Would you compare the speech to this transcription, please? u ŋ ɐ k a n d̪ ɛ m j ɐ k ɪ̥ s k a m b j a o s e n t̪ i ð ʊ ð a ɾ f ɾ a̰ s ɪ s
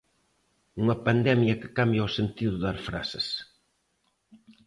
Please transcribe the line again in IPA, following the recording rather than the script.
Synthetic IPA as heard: u ŋ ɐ p a n d̪ ɛ m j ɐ k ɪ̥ k a m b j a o s e n t̪ i ð ʊ ð a ɾ f ɾ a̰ s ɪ s